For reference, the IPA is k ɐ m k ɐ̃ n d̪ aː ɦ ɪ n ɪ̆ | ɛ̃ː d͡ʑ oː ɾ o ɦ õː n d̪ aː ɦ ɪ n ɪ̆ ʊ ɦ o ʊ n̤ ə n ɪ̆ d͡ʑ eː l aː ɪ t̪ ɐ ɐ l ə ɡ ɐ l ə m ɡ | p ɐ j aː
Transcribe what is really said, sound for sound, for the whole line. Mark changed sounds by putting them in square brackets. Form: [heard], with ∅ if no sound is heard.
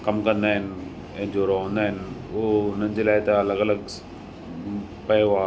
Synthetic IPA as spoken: k ɐ m k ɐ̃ n d̪ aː ɦ ɪ n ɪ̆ | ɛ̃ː d͡ʑ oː ɾ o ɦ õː n d̪ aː ɦ ɪ n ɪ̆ ʊ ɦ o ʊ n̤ ə n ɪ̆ d͡ʑ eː l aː ɪ t̪ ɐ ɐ l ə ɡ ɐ l ə [∅] ɡ | p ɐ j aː